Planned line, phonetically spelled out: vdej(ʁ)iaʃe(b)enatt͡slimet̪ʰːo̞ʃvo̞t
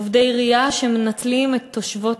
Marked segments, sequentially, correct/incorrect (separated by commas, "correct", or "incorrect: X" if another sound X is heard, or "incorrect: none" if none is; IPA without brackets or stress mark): correct, incorrect: m